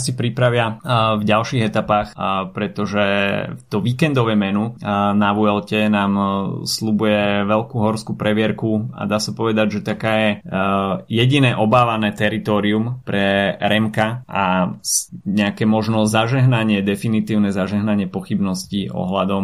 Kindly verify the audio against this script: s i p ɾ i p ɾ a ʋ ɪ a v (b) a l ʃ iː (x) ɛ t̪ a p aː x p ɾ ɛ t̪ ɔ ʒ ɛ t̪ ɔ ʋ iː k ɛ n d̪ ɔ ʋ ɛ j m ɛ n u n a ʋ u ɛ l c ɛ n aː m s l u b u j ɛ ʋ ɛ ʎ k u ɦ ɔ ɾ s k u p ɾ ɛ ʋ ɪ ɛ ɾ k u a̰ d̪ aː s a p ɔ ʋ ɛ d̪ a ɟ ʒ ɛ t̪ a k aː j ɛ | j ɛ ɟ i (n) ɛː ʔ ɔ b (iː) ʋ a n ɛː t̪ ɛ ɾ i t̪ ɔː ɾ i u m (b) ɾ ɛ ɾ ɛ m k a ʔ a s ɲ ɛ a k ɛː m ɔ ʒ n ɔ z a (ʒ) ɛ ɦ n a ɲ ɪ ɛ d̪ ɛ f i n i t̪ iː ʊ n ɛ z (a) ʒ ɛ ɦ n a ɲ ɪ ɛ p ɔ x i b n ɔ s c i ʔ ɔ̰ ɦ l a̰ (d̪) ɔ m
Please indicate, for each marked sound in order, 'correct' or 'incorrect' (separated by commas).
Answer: incorrect, incorrect, correct, incorrect, incorrect, correct, correct, correct